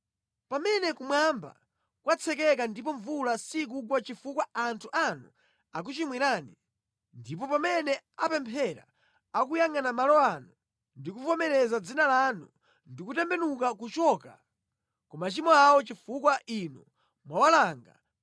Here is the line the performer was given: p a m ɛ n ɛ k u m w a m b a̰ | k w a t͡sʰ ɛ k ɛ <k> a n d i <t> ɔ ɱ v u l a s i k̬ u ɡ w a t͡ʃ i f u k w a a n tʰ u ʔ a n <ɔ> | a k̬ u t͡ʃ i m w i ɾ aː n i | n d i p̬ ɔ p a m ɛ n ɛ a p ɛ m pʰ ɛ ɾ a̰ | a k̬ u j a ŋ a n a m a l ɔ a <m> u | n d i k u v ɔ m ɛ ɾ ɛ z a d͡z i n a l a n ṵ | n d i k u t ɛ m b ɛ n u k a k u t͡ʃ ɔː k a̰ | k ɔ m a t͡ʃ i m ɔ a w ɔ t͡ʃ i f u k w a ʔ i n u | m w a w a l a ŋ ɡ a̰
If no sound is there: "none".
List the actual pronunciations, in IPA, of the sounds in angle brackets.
k, p, u, n

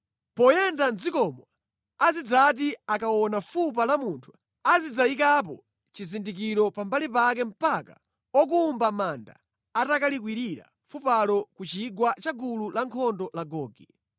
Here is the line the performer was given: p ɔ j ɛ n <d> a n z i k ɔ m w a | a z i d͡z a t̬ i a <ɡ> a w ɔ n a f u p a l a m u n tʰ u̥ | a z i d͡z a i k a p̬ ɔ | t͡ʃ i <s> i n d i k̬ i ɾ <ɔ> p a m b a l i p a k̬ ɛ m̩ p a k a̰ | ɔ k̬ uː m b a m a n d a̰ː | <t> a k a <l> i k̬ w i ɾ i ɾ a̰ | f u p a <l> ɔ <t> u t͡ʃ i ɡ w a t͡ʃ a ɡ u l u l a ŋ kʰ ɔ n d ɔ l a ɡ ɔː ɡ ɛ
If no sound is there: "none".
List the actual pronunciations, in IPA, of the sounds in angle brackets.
d, k, z, ɔ, t, l, l, k

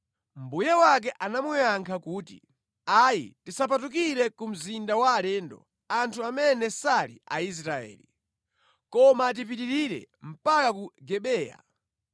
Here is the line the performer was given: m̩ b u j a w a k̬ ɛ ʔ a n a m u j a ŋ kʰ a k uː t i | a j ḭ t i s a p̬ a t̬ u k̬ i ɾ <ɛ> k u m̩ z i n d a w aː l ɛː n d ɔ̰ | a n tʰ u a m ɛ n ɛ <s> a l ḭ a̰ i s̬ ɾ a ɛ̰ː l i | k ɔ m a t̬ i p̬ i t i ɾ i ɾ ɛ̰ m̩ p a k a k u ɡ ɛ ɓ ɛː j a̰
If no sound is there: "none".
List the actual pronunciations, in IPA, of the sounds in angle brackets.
ɛ, s

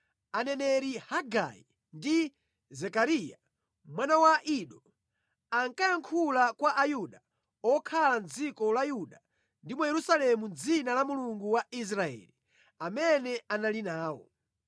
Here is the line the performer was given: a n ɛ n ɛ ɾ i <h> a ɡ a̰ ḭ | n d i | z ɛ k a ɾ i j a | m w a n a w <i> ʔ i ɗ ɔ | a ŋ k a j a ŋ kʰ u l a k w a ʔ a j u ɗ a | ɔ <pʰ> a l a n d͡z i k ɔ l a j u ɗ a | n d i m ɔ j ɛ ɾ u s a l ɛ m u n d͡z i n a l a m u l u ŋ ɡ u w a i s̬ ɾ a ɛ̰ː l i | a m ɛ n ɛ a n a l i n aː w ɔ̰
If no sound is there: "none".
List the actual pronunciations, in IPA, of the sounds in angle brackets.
h, a, kʰ

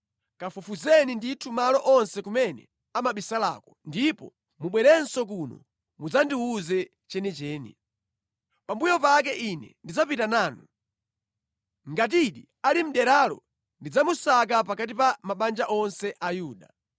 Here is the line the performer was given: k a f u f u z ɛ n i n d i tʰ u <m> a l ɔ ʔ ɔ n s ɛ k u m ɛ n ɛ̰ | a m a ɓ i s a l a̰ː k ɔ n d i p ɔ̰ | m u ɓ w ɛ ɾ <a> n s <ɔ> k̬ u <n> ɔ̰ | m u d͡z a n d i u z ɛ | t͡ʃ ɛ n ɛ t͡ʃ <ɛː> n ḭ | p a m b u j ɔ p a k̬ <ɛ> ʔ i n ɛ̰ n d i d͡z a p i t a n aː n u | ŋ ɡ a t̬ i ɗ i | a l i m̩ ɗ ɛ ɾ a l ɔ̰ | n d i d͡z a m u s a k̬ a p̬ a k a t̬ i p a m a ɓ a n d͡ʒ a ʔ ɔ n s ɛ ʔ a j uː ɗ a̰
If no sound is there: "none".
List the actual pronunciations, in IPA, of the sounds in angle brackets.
m, ɛ, ɔ, n, ɛː, ɛ

